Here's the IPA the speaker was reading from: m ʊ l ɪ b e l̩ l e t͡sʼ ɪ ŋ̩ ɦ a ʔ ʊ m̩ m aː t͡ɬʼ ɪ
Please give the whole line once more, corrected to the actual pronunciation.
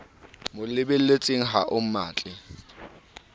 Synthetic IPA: m ʊ l ɪ b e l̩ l e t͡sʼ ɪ ŋ̩ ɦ a ʔ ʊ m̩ m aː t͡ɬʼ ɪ